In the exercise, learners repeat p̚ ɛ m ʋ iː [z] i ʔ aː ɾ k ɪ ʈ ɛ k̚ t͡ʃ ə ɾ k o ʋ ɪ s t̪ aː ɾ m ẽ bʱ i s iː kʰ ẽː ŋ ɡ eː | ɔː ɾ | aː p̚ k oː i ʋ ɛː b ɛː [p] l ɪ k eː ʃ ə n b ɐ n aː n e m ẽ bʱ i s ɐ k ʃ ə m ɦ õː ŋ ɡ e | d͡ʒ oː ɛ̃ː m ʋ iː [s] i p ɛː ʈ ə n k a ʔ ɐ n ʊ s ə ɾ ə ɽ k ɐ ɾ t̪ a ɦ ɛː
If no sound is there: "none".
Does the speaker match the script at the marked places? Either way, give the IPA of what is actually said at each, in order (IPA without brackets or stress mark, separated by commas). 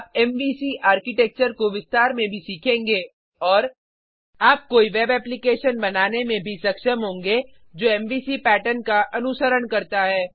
s, p, s